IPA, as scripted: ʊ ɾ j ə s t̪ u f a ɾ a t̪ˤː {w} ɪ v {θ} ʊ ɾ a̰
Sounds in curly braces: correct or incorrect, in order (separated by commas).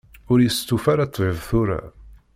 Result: incorrect, correct